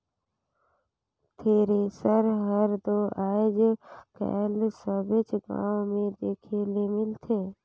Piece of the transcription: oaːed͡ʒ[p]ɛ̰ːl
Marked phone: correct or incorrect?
incorrect